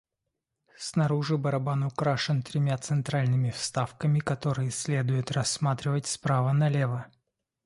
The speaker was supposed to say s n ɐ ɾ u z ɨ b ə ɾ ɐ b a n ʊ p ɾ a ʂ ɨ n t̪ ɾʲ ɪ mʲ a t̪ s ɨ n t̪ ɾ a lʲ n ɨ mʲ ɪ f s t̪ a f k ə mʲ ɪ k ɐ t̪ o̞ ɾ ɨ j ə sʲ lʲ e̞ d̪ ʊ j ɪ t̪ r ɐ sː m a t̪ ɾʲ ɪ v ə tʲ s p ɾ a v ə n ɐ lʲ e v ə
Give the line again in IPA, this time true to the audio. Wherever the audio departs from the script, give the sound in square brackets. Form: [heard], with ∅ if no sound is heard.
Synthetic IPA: s n ɐ ɾ u [ʐ] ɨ b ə ɾ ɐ b a n ʊ [k] ɾ a ʂ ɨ n t̪ ɾʲ ɪ mʲ a t̪ s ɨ n t̪ ɾ a lʲ n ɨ mʲ ɪ f s t̪ a f k ə mʲ ɪ k ɐ t̪ o̞ ɾ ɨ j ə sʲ lʲ e̞ d̪ ʊ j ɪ t̪ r ɐ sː m a t̪ ɾʲ ɪ v ə tʲ s p ɾ a v ə n ɐ lʲ e v ə

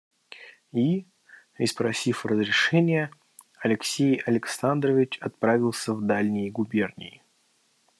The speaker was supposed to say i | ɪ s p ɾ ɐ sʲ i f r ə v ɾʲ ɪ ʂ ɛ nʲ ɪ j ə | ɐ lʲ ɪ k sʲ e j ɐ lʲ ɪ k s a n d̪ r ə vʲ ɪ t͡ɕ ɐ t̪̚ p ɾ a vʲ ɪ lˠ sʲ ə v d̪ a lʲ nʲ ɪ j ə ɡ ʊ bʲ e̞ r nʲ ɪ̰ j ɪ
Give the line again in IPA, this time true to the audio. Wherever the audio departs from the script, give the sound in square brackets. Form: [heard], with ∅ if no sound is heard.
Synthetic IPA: i | ɪ s p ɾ ɐ sʲ i f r ə [z] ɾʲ ɪ ʂ ɛ nʲ ɪ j ə | ɐ lʲ ɪ k sʲ e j ɐ lʲ ɪ k s a n d̪ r ə vʲ ɪ t͡ɕ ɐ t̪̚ p ɾ a vʲ ɪ lˠ sʲ ə v d̪ a lʲ nʲ ɪ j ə ɡ ʊ bʲ e̞ r nʲ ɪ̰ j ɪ

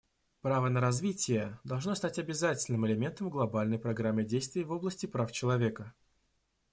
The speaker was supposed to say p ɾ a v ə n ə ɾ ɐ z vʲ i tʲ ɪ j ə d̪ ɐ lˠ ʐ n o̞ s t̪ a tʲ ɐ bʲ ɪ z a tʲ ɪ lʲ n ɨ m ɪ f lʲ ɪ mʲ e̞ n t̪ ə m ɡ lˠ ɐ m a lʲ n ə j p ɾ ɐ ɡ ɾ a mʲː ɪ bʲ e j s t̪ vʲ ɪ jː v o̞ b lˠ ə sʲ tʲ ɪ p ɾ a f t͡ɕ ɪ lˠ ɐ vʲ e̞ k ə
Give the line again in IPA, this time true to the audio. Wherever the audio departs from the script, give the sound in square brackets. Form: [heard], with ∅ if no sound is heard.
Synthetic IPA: p ɾ a v ə n ə ɾ ɐ z vʲ i tʲ ɪ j ə d̪ ɐ lˠ ʐ n o̞ s t̪ a tʲ ɐ bʲ ɪ z a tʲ ɪ lʲ n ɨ m ɪ [∅] lʲ ɪ mʲ e̞ n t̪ ə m ɡ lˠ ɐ [b] a lʲ n ə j p ɾ ɐ ɡ ɾ a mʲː ɪ [dʲ] e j s t̪ vʲ ɪ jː v o̞ b lˠ ə sʲ tʲ ɪ p ɾ a f t͡ɕ ɪ lˠ ɐ vʲ e̞ k ə

